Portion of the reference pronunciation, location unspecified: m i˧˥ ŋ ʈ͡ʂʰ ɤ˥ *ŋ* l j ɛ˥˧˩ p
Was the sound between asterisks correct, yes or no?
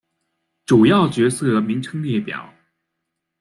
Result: yes